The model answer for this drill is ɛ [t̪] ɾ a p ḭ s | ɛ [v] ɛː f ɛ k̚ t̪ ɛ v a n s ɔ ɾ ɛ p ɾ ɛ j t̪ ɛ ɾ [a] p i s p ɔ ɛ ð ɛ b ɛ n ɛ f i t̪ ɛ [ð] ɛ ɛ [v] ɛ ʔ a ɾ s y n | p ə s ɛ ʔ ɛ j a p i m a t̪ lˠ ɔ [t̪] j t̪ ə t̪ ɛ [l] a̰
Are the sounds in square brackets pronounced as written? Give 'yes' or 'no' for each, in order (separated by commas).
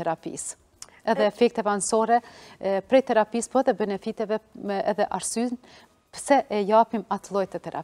no, no, yes, no, no, no, no